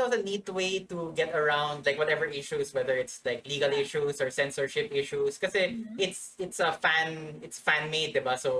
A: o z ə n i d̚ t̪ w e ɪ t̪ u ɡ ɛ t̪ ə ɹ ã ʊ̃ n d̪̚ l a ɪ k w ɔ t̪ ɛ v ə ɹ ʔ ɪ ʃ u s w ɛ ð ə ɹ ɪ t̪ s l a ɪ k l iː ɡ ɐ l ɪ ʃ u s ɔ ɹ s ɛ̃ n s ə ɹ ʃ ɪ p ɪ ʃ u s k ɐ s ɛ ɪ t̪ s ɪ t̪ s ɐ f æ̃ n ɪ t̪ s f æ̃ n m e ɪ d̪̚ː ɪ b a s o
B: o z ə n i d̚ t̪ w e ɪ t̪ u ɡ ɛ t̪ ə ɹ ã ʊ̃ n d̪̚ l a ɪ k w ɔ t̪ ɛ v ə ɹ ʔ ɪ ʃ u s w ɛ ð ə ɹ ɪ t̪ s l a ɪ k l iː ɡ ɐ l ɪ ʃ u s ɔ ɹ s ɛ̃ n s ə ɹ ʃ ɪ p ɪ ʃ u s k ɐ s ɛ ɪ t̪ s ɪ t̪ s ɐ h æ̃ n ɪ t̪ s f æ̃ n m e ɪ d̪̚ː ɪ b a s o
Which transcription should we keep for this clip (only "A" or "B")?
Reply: A